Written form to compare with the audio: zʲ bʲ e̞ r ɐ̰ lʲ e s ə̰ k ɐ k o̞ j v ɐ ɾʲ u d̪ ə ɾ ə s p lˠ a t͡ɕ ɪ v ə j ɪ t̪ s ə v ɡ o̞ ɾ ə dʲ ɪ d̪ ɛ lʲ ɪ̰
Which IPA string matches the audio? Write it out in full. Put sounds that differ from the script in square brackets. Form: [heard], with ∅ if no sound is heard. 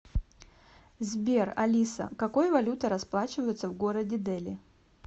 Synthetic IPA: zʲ bʲ e̞ r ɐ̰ lʲ [i] s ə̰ k ɐ k o̞ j v ɐ [lʲ] u [t̪] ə ɾ [ɐ] s p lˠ a t͡ɕ ɪ v ə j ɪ t̪ s ə v ɡ o̞ ɾ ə dʲ ɪ d̪ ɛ lʲ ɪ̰